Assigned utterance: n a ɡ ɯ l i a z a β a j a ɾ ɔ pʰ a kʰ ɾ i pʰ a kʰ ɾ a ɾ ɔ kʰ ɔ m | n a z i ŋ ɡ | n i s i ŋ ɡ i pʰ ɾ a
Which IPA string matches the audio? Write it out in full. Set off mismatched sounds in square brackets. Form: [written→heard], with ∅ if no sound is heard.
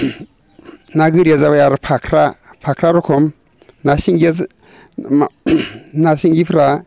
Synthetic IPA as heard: n a ɡ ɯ [l→ɾ] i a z a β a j a ɾ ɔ pʰ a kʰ ɾ [i→a] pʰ a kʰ ɾ a ɾ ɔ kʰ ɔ m | n a [z→s] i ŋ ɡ | n [i→a] s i ŋ ɡ i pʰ ɾ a